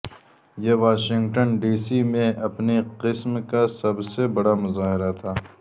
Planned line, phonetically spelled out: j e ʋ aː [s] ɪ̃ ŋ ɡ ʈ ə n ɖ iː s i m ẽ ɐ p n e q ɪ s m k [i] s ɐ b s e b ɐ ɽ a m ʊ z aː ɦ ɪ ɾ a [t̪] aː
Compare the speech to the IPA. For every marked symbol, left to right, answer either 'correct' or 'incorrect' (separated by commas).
incorrect, incorrect, incorrect